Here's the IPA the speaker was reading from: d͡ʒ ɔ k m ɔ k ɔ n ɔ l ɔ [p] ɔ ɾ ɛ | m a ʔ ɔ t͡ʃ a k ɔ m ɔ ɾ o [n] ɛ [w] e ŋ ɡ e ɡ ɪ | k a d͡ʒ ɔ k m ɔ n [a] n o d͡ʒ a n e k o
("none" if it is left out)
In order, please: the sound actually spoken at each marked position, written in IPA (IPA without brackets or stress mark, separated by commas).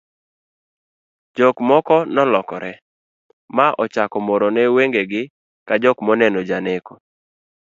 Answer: k, n, w, ɛ